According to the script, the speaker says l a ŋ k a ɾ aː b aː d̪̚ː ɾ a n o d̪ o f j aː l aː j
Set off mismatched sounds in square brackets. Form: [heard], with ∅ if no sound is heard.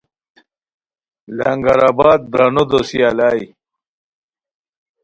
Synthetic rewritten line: l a ŋ [ɡ] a ɾ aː b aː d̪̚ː ɾ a n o d̪ o [s] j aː l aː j